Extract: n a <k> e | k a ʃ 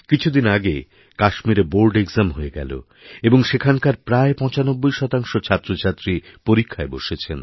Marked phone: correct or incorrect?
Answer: incorrect